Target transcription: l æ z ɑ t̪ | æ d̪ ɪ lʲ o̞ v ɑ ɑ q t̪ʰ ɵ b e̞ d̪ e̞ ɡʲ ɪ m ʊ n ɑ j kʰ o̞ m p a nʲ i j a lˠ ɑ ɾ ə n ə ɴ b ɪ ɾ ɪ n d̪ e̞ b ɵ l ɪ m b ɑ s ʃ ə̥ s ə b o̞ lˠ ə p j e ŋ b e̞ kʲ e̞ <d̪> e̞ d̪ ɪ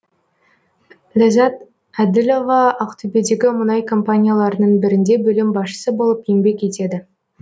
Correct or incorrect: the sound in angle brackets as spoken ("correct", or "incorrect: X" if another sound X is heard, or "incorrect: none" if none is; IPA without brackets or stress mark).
incorrect: t̪